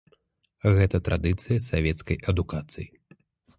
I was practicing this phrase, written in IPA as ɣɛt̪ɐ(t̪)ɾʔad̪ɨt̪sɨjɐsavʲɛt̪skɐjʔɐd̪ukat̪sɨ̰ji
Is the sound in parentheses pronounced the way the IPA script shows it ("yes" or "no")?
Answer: yes